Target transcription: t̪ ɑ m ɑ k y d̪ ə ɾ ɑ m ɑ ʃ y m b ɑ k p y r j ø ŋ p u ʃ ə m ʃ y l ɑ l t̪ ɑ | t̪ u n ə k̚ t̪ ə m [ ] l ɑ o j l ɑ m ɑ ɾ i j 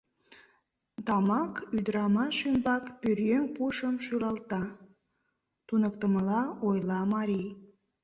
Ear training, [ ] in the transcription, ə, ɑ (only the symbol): ə